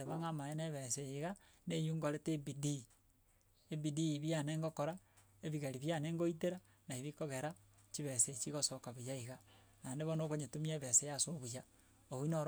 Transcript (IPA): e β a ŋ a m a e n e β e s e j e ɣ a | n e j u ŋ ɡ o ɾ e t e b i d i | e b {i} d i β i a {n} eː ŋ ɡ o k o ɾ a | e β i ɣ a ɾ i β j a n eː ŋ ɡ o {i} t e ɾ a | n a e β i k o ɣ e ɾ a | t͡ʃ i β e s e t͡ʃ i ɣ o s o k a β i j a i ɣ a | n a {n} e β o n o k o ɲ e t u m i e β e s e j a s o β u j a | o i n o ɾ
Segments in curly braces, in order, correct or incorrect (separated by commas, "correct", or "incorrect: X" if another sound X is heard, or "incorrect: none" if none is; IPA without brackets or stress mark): correct, correct, correct, correct